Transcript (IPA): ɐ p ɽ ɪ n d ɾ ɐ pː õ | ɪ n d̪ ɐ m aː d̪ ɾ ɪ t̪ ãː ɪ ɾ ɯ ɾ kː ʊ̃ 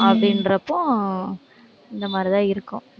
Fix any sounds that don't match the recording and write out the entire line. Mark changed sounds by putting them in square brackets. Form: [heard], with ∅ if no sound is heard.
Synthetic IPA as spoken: ɐ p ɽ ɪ n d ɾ ɐ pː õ | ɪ n d̪ ɐ m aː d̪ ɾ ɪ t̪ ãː ɪ ɾ ɯ [∅] kː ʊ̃